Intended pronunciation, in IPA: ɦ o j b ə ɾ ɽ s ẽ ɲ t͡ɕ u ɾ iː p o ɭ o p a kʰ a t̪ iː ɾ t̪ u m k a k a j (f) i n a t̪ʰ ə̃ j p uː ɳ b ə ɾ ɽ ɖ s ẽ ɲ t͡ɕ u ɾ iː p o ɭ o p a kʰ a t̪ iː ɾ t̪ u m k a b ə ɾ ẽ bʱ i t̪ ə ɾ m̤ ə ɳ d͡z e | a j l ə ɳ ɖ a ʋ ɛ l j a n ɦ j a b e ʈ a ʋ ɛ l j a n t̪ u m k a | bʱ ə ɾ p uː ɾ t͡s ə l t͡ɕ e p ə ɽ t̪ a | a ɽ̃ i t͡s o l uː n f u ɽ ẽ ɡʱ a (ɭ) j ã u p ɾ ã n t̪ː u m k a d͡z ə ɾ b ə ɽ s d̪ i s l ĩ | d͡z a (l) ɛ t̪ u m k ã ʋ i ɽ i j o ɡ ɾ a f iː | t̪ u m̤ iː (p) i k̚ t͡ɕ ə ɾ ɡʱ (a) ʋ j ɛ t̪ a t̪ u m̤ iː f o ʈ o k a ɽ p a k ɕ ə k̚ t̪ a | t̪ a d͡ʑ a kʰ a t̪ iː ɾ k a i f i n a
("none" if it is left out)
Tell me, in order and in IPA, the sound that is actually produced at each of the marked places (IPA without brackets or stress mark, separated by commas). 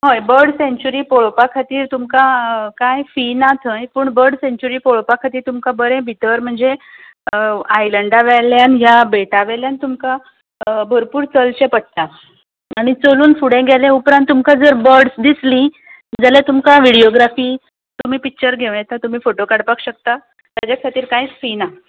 f, l, l, p, e